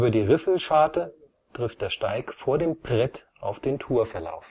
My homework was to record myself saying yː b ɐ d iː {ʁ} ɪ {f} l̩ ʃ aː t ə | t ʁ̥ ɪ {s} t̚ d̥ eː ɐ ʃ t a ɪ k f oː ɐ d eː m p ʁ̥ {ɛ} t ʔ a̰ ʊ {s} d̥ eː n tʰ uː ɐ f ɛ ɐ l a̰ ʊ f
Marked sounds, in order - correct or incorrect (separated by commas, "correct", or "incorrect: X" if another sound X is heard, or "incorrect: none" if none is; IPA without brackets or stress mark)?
correct, correct, incorrect: f, correct, incorrect: f